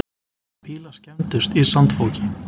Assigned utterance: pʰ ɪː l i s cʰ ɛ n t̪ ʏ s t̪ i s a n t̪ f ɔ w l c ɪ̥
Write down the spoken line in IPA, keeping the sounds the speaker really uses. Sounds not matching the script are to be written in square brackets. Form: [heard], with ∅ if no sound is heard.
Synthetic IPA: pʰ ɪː l [a] s [c] ɛ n t̪ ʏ s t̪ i s a n t̪ f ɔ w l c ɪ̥

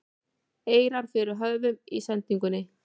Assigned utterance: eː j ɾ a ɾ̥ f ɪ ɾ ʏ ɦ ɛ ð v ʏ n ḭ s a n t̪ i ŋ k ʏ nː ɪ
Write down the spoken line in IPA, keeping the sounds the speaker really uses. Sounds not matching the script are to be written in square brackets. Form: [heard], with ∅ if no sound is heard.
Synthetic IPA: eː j ɾ a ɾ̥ f ɪ ɾ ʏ ɦ [œ] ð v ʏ [m] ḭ s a n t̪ i ŋ k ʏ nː ɪ

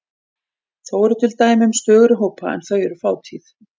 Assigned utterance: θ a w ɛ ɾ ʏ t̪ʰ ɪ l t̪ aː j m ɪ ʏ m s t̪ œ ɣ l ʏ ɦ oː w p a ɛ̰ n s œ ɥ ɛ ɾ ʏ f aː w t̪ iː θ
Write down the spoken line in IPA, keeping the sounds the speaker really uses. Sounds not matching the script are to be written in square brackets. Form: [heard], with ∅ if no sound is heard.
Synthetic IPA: θ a w ɛ ɾ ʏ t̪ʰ ɪ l t̪ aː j m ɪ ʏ m s t̪ [œː] ɣ [ɾ] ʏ ɦ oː w p a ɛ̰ n [θ] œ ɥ ɛ ɾ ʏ f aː w [t̪ʰ] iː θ

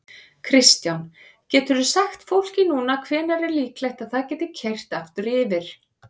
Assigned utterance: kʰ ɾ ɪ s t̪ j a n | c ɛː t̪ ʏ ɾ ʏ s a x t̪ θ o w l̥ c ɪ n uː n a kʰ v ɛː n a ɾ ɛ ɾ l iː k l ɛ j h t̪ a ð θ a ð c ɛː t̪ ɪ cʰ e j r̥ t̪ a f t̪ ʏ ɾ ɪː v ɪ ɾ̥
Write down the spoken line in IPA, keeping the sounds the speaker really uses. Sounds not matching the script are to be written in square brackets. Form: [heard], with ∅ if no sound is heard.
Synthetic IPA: kʰ ɾ ɪ s t̪ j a n | c ɛː t̪ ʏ ɾ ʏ s a x t̪ [f] o w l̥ c ɪ n uː n a kʰ v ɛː n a ɾ ɛ ɾ l iː k l ɛ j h t̪ a ð θ a ð c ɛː t̪ ɪ cʰ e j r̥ t̪ a f t̪ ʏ ɾ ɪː v ɪ ɾ̥

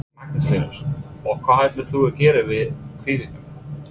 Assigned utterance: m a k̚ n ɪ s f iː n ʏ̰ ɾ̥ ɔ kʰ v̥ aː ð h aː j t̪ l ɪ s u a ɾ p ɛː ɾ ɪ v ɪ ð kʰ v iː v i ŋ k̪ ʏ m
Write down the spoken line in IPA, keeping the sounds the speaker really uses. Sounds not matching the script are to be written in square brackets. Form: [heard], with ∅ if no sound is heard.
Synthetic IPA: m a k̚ n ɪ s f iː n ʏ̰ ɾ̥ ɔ kʰ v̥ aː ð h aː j t̪ l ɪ [θ] u [ɛ] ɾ [c] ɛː ɾ ɪ v ɪ ð kʰ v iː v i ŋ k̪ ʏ m

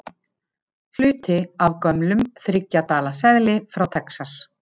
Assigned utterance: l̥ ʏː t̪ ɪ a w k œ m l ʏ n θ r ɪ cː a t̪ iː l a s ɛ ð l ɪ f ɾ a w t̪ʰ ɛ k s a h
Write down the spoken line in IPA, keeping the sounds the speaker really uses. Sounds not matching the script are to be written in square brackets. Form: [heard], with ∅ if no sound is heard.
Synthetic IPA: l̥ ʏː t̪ ɪ a [v] k œ m l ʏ [m] θ [ɾ] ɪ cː a t̪ [aː] l a s ɛ ð l ɪ f ɾ a w t̪ʰ ɛ k s a [s]

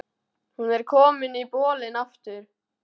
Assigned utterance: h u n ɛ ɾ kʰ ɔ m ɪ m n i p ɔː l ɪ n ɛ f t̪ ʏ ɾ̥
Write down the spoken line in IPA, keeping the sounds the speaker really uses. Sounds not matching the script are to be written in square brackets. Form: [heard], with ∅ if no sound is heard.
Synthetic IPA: h u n ɛ ɾ kʰ [ɔː] m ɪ [∅] n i p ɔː l ɪ n [a] f t̪ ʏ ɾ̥

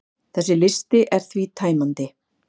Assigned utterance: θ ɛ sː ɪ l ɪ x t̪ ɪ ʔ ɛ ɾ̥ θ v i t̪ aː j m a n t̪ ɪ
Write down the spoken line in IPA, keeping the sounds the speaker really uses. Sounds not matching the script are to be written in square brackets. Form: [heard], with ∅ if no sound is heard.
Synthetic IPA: θ ɛ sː ɪ l ɪ [s] t̪ ɪ ʔ ɛ ɾ̥ θ v i [t̪ʰ] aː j m a n t̪ ɪ

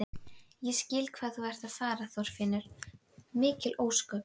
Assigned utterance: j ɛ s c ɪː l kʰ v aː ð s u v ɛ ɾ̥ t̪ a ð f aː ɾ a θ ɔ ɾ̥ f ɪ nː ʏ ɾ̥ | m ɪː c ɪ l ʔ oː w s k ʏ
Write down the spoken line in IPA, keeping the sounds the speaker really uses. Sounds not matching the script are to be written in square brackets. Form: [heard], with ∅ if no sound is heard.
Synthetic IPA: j ɛ s c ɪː l kʰ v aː ð [θ] u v ɛ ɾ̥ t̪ a ð f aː ɾ a θ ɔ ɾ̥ f ɪ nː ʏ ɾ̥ | m ɪː c ɪ l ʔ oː w s k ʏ

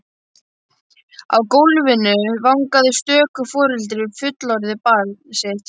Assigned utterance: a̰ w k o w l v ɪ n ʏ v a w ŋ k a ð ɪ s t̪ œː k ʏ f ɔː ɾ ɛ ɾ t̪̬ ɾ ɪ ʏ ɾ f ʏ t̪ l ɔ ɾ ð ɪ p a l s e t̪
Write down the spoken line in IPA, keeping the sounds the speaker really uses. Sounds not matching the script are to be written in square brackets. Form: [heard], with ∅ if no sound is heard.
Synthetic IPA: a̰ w k o w l v ɪ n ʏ v a w ŋ k a ð ɪ s t̪ œː k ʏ f ɔː ɾ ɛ [l] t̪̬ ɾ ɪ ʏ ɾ f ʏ t̪ l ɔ ɾ ð ɪ p a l s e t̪

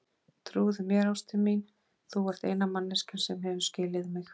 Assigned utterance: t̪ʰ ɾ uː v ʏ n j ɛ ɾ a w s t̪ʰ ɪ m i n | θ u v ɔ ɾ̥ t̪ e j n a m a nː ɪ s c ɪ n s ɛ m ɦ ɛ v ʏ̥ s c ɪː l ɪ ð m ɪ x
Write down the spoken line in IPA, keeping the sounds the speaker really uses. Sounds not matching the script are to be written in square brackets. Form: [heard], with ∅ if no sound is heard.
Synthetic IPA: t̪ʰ ɾ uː [ð] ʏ [m] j ɛ ɾ a w s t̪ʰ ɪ m i n | θ u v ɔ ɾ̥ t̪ e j n a m a nː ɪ s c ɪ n s ɛ m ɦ ɛ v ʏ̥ s c ɪː l ɪ ð m ɪ x

